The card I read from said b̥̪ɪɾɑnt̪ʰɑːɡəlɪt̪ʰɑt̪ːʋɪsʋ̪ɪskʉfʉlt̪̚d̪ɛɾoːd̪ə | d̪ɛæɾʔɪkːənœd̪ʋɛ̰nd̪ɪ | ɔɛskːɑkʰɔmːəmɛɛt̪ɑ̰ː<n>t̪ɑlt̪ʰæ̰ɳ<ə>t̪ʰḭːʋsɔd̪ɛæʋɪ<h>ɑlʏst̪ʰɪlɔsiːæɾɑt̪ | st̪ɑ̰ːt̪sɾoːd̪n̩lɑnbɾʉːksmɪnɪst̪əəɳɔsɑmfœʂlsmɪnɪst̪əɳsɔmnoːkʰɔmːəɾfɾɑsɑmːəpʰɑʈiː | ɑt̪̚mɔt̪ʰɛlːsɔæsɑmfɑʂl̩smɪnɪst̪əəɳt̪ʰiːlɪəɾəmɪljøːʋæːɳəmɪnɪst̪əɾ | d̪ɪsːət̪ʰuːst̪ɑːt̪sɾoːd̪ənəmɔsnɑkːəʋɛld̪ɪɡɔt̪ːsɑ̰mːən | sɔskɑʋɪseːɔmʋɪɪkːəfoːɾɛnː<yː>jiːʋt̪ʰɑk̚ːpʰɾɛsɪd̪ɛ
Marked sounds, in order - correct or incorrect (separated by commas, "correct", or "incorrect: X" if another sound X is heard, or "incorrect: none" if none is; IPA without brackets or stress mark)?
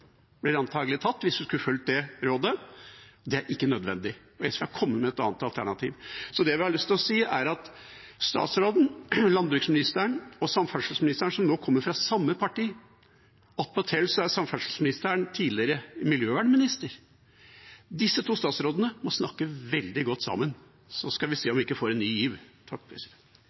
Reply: correct, incorrect: ɑ, correct, correct